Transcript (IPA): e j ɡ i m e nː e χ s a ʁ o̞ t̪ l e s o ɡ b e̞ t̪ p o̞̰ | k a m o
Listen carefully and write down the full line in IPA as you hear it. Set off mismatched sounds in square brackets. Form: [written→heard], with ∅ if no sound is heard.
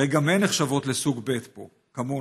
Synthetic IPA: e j ɡ [i→a] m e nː e χ [s→ʃ] a [ʁ→v] o̞ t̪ l e s [o→u] ɡ b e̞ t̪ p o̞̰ | k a m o

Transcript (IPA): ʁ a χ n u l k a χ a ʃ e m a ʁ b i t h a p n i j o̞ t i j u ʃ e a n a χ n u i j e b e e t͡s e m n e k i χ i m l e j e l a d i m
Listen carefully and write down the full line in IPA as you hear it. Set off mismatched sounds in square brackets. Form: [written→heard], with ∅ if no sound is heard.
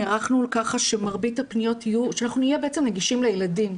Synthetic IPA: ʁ a χ n u l k a χ a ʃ e m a ʁ b i t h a p n i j o̞ t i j u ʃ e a n a χ n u i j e b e e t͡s e m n e [k→ɡ] i [χ→ʃ] i m l e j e l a d i m

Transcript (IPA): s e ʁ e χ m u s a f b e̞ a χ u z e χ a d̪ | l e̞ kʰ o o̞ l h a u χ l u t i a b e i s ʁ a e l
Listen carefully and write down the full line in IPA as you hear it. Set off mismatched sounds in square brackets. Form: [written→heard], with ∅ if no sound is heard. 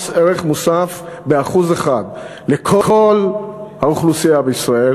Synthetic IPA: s e ʁ e χ m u s a f b e̞ a χ u z e χ a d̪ | l e̞ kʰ o o̞ l h a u χ l u [t→s] i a b e i s ʁ a e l

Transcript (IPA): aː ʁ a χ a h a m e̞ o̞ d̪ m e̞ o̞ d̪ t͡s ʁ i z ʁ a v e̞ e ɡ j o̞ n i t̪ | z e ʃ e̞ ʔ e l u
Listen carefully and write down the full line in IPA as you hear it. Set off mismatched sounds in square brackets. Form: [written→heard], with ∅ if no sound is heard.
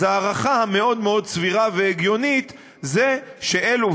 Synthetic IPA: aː ʁ a χ a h a m e̞ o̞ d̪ m e̞ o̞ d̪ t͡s [ʁ→v] i [z→∅] ʁ a v e̞ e ɡ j o̞ n i t̪ | z e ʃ e̞ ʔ e l u

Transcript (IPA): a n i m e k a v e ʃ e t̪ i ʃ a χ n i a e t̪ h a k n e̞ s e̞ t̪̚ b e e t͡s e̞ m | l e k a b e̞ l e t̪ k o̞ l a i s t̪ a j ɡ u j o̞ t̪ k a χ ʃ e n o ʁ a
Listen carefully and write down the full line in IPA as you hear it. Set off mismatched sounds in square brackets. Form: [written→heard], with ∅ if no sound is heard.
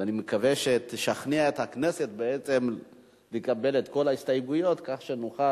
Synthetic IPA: a n i m e k a v e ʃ e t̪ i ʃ a χ n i a e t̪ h a k n e̞ s e̞ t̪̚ b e e t͡s e̞ m | l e k a b e̞ l e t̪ k o̞ l a i s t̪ a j ɡ u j o̞ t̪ k a χ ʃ e n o [ʁ→χ] a

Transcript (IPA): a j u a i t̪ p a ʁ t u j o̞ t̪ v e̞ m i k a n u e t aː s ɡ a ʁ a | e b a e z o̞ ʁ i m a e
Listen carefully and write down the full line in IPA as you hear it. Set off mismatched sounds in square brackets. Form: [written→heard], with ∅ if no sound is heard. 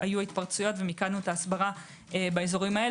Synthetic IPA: a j u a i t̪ p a ʁ [t→t͡s] u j o̞ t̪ v e̞ m i k a n u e t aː s [ɡ→b] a ʁ a | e b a e z o̞ ʁ i m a e

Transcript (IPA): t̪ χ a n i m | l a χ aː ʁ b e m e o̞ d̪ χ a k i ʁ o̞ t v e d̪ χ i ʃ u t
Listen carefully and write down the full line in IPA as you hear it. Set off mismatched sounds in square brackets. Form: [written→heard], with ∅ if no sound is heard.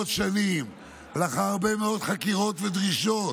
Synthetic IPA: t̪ [χ→ʃ] a n i m | l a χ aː ʁ b e m e o̞ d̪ χ a k i ʁ o̞ t v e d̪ [χ→ʁ] i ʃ [u→o] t

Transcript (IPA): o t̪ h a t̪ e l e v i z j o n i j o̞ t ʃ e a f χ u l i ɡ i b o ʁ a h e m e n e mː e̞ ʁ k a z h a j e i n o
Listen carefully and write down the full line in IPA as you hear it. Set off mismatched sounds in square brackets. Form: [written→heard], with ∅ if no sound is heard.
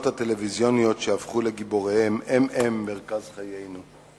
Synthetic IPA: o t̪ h a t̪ e l e v i z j o n i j o̞ t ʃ e a f χ u l [i→e] ɡ i b o ʁ [a→e] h e m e [n→m] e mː e̞ ʁ k a z [h→χ] a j e [i→j] n [o→u]

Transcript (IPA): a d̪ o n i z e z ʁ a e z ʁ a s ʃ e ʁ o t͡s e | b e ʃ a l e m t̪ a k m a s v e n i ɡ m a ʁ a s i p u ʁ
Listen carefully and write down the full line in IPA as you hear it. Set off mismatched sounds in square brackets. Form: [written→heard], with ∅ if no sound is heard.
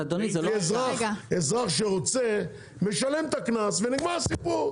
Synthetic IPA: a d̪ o n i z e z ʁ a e z ʁ a [s→χ] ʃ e ʁ o t͡s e | [b→m] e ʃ a l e m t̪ a k [m→n] a s v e n i ɡ m a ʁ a s i p u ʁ

